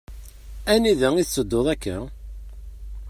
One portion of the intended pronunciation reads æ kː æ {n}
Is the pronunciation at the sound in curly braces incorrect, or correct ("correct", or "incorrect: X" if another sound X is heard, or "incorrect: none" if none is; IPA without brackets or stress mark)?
incorrect: none